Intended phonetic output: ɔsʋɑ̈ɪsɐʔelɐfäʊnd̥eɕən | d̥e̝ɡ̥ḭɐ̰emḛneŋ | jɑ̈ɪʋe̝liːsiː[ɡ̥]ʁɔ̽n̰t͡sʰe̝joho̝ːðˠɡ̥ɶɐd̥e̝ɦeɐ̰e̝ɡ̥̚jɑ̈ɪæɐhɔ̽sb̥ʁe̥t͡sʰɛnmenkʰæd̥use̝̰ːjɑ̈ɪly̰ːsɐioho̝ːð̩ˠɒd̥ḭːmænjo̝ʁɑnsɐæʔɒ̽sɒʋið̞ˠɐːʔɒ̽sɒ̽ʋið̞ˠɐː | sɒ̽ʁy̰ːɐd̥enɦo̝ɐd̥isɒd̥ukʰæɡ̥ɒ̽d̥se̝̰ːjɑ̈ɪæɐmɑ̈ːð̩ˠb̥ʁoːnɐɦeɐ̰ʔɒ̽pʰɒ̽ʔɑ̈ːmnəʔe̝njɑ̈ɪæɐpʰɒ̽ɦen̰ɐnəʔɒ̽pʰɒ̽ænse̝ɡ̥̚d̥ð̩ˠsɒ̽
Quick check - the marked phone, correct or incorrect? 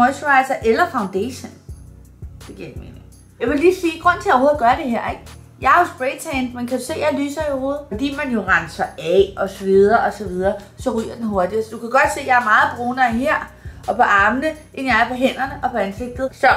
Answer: correct